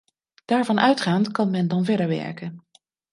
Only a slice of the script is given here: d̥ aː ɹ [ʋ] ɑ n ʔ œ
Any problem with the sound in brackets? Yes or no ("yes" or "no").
yes